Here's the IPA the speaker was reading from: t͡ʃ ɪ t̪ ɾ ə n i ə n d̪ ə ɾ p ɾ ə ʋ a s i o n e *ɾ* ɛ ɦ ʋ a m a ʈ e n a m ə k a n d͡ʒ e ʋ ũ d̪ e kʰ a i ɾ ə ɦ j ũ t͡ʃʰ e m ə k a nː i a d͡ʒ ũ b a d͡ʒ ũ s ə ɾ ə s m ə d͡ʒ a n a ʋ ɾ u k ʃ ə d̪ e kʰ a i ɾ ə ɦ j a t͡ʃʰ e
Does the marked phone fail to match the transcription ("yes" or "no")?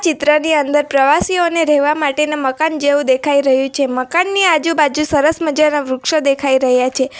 no